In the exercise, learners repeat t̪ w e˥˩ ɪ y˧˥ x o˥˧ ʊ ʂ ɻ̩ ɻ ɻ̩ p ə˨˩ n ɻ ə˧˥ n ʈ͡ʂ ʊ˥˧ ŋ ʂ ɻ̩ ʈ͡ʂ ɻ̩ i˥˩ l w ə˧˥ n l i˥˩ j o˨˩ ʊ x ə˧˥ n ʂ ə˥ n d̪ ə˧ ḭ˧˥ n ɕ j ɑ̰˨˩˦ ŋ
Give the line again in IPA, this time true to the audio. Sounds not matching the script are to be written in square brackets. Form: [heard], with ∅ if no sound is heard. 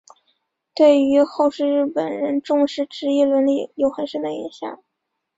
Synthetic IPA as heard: t̪ w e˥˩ ɪ y˧˥ x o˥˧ ʊ ʂ ɻ̩ ɻ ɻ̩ p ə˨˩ n ɻ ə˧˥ n ʈ͡ʂ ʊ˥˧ ŋ ʂ ɻ̩ ʈ͡ʂ ɻ̩ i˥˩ l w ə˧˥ n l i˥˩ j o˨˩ ʊ x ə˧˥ n ʂ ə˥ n d̪ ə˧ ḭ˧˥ n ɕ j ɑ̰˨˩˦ ŋ